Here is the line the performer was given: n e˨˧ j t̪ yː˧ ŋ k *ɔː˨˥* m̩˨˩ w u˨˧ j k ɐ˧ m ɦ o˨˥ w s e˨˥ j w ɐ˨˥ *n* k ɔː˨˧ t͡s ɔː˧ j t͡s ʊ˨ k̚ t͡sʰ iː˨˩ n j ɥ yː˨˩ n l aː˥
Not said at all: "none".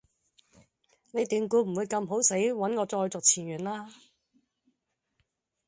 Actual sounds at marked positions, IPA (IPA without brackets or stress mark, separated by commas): uː˨˥, n